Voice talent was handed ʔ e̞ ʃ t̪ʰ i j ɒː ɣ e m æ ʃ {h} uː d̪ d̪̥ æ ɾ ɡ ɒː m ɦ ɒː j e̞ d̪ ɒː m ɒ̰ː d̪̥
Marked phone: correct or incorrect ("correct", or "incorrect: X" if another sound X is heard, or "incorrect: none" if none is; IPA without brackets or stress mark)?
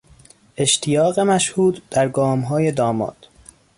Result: correct